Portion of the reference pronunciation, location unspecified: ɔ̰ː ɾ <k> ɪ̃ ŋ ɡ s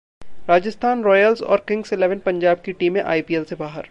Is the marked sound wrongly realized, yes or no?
no